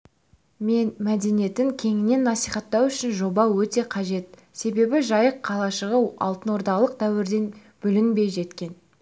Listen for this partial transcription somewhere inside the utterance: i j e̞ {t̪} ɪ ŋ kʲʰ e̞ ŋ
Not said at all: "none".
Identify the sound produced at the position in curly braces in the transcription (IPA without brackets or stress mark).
t̪